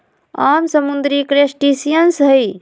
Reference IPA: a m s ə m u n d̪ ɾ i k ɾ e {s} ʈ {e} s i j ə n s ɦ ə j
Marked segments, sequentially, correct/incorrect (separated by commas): correct, incorrect